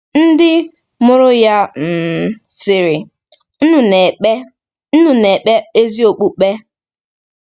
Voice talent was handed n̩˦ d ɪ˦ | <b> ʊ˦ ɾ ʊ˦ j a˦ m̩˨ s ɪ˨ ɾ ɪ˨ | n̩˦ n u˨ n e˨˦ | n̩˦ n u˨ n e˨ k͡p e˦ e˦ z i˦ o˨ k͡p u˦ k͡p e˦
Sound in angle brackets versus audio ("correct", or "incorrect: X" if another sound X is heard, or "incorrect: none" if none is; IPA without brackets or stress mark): incorrect: m